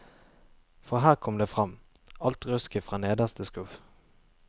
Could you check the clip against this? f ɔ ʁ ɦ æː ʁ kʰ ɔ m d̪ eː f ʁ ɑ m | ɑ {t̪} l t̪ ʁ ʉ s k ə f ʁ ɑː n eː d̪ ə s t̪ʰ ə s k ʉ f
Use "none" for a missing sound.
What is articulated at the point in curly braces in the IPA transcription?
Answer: none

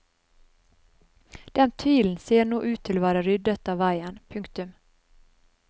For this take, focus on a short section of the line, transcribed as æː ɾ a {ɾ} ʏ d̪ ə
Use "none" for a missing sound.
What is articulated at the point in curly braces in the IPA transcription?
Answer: ɾ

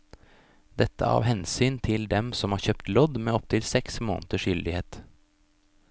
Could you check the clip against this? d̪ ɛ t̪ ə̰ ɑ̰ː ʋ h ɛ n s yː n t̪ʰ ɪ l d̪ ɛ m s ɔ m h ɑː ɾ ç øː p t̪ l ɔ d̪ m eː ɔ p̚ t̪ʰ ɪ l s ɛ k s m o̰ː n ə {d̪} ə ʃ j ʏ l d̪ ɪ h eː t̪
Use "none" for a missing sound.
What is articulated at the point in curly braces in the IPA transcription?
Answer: t̪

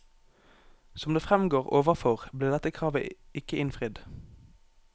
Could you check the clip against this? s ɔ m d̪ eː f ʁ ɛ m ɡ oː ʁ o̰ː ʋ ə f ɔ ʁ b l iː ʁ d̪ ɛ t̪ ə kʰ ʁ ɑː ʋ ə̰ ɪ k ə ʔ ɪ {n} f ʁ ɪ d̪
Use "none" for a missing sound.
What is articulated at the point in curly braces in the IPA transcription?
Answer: n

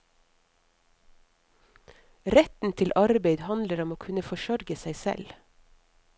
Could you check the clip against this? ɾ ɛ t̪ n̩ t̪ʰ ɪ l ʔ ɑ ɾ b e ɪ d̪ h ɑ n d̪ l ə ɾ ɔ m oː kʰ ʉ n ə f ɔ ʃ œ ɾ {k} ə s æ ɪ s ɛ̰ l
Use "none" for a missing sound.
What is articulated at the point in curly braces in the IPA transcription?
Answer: ɡ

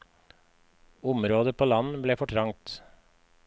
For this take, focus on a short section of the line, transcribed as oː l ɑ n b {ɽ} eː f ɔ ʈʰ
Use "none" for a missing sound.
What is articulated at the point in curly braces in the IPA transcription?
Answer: l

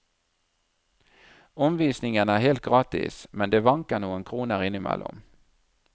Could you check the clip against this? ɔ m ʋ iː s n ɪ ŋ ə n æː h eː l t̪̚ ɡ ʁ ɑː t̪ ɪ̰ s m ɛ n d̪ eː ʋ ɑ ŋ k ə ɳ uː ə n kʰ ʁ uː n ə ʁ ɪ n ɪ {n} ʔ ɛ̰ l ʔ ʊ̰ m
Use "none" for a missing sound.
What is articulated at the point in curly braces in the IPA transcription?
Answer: m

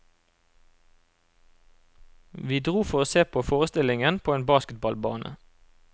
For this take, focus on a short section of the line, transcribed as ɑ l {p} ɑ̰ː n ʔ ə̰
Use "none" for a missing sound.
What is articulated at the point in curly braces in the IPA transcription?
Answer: b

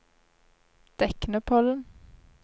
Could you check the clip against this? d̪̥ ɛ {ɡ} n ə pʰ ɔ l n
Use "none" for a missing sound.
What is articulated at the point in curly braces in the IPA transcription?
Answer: k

